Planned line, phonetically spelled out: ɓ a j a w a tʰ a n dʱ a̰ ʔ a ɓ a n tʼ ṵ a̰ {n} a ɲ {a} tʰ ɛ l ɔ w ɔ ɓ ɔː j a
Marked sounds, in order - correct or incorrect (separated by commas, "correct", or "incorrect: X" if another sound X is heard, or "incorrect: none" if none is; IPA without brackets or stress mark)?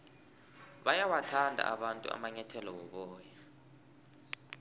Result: incorrect: m, incorrect: ɛ